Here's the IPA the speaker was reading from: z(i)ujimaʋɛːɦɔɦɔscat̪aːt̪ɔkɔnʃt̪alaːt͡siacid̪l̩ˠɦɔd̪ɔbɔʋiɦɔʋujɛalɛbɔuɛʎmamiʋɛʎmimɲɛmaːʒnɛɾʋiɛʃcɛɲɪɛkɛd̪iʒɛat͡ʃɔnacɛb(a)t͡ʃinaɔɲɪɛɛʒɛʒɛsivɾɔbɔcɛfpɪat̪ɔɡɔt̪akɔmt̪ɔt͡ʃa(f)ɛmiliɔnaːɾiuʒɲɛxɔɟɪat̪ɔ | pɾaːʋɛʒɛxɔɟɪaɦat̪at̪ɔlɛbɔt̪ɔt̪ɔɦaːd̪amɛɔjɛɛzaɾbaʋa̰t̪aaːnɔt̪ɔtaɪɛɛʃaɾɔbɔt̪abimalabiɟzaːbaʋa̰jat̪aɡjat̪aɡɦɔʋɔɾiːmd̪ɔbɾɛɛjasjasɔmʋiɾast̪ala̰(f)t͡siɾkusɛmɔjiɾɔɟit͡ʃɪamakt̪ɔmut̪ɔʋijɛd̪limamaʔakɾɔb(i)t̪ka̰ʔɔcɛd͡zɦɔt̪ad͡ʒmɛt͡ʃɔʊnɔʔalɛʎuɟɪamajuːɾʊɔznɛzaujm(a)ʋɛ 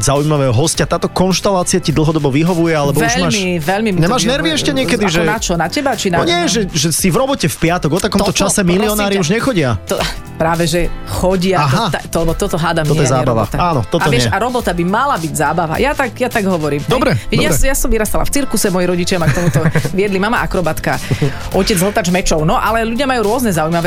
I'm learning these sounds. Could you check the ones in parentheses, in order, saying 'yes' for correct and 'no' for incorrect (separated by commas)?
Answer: no, yes, no, yes, no, yes